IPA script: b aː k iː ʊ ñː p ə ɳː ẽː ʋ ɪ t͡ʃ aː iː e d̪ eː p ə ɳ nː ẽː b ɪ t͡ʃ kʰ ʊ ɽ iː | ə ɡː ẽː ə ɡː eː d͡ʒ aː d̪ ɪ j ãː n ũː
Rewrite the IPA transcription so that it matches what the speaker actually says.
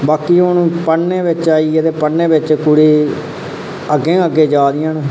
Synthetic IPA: b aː k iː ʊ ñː p ə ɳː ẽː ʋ ɪ t͡ʃ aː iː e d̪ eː p ə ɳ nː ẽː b ɪ t͡ʃ k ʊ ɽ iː | ə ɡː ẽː ə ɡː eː d͡ʒ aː d̪ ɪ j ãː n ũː